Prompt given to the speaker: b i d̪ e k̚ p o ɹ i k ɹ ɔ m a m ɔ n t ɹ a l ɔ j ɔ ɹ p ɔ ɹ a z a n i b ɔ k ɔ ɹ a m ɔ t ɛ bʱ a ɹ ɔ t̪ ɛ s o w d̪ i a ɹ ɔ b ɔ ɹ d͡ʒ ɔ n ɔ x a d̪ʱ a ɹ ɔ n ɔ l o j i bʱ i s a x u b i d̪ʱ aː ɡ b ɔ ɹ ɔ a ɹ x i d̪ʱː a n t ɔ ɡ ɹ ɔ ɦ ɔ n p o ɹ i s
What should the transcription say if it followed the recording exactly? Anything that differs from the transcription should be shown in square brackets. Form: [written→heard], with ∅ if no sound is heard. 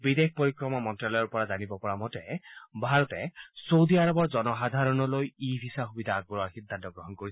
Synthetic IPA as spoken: b i d̪ e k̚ p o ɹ i k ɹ ɔ m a m ɔ n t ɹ a l ɔ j ɔ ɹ p ɔ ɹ a z a n i b ɔ [k→p] ɔ ɹ a m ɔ t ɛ bʱ a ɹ ɔ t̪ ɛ s o w d̪ i a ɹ ɔ b ɔ ɹ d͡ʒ ɔ n ɔ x a d̪ʱ a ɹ ɔ n ɔ l o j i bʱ i s a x u b i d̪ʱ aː ɡ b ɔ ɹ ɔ a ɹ x i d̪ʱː a n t ɔ ɡ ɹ ɔ ɦ ɔ n [p→k] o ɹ i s